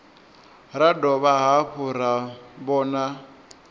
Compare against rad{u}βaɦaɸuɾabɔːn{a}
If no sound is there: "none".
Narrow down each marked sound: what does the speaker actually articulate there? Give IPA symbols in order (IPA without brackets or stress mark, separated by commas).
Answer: ɔ, a